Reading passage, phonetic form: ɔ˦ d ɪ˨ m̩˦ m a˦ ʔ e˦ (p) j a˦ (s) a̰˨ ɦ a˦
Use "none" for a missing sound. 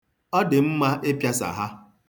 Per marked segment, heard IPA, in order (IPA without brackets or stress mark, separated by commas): p, s